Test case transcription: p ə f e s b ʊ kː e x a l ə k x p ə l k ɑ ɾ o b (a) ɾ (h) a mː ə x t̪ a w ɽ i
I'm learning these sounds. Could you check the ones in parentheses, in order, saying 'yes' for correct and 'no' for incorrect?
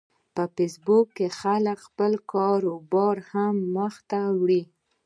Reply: no, yes

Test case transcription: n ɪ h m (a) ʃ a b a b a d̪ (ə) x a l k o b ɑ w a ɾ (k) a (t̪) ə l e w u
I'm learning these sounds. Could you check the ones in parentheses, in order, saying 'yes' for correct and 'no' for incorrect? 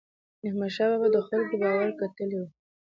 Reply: yes, yes, yes, yes

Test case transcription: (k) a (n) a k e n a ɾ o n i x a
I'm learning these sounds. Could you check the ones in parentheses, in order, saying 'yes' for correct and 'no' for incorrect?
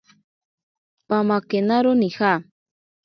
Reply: no, no

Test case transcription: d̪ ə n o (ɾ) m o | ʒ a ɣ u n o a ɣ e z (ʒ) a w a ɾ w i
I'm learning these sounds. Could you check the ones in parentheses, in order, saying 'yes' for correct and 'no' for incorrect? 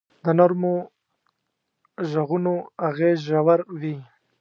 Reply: yes, yes

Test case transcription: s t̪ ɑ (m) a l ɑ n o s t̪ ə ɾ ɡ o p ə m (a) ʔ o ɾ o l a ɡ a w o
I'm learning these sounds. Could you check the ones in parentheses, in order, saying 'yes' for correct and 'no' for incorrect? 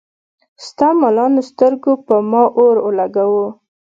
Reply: yes, no

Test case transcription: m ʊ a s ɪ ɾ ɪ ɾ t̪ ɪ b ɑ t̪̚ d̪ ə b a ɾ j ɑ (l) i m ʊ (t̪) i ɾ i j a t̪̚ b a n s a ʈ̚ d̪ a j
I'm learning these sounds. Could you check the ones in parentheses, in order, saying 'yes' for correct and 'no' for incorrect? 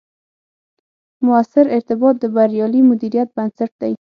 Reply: yes, no

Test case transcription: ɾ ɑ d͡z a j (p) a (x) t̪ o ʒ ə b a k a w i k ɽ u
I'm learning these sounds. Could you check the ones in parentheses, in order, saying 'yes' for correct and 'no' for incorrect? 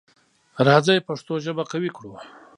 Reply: yes, no

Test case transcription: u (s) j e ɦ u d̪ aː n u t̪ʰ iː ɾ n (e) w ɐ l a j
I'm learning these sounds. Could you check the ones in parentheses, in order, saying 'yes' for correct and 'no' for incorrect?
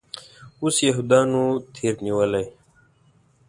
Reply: yes, no

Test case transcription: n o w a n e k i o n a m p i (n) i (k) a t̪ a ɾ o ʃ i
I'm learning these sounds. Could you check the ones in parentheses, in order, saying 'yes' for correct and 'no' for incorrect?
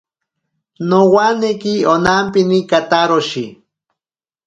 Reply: yes, yes

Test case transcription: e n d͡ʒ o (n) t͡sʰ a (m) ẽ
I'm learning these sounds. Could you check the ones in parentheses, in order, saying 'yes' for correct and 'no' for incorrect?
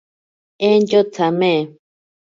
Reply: no, yes

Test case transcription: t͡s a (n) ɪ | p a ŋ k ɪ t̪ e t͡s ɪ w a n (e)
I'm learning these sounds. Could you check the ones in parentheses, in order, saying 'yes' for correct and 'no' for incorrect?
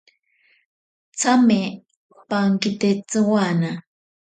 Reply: no, no

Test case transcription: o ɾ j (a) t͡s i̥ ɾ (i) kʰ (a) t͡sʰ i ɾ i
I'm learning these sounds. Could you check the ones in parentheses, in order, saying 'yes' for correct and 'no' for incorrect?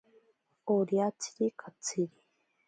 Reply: yes, yes, yes

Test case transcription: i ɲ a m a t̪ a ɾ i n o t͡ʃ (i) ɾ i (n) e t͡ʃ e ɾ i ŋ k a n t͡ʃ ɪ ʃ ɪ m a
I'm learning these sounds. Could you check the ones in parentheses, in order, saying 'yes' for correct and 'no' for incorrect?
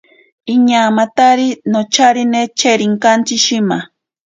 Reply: no, yes

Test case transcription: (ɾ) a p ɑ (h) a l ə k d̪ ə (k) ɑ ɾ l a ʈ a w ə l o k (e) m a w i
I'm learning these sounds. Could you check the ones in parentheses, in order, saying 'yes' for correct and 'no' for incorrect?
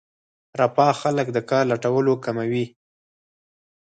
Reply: yes, no, yes, no

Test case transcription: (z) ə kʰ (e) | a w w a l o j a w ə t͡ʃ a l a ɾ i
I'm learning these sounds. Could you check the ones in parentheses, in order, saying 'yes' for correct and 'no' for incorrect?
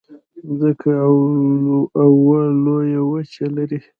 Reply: yes, no

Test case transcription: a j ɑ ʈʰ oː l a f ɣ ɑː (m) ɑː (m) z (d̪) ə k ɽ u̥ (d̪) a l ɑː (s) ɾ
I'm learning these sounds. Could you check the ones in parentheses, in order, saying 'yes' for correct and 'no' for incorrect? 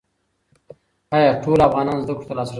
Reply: no, no, yes, no, yes

